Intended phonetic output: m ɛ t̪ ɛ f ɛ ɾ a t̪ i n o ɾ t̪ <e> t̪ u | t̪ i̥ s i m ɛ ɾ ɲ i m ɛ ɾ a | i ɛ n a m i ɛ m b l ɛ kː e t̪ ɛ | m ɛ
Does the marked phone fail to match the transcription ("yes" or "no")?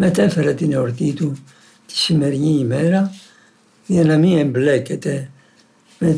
yes